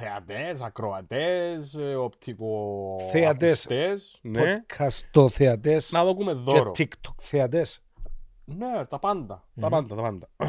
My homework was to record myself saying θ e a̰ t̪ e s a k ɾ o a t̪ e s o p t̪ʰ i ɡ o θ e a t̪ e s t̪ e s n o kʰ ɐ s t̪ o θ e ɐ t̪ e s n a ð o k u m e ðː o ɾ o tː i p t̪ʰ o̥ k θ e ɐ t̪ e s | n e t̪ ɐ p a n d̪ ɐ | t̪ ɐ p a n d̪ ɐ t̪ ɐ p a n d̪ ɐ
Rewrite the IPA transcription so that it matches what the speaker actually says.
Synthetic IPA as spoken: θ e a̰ t̪ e s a k ɾ o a t̪ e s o p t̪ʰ i k o θ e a t̪ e s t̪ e s n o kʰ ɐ s t̪ o θ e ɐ t̪ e s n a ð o k u m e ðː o ɾ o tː i k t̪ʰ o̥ k θ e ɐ t̪ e s | n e t̪ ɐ p a n d̪ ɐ | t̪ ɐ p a n d̪ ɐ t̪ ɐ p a n d̪ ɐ